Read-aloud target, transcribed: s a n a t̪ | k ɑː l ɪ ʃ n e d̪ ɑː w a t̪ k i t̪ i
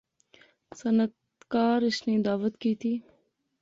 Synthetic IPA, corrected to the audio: s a n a t̪ | k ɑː ɾ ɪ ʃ n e d̪ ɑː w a t̪ k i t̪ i